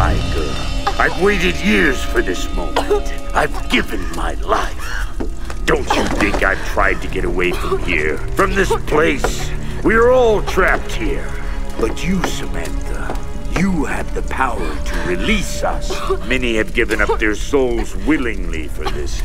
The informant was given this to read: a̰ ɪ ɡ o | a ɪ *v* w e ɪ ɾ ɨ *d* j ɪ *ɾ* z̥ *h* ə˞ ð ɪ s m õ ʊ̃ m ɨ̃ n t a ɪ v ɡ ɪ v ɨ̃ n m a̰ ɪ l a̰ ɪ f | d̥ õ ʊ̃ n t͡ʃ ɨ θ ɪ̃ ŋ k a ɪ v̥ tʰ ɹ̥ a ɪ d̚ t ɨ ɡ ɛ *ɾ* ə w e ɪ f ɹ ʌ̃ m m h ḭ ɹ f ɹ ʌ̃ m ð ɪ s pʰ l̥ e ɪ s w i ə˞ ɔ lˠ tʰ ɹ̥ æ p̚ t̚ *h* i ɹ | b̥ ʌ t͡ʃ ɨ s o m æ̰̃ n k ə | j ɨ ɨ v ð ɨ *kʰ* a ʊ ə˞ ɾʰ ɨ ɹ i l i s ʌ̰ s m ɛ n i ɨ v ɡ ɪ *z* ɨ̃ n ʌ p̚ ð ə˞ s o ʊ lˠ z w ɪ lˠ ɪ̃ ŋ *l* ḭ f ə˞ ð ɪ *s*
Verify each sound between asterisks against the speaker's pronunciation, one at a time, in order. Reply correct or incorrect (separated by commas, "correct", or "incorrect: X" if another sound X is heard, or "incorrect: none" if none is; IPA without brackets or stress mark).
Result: correct, correct, incorrect: ɹ, incorrect: f, correct, correct, incorrect: pʰ, incorrect: v, correct, correct